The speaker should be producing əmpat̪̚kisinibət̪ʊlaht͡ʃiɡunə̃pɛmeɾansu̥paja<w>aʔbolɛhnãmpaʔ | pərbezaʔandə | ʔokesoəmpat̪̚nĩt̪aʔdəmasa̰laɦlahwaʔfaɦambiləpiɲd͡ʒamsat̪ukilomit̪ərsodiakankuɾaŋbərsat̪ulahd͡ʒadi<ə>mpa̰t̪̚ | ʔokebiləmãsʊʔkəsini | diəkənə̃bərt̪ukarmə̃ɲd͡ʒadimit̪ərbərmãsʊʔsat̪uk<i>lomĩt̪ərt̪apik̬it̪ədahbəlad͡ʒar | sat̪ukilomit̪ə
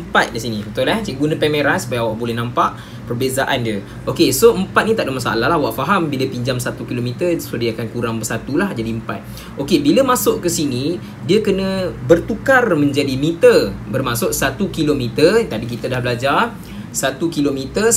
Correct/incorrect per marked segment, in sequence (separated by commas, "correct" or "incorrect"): correct, correct, correct